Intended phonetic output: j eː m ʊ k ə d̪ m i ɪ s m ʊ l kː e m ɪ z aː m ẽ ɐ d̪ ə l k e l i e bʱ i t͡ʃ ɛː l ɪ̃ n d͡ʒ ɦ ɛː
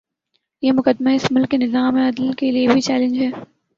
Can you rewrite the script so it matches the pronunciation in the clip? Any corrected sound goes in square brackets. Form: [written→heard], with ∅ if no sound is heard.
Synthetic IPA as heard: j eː m ʊ k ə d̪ m [i→a] ɪ s m ʊ l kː e [m→n] ɪ z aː m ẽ ɐ d̪ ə l k e l i e bʱ i t͡ʃ ɛː l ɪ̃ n d͡ʒ ɦ ɛː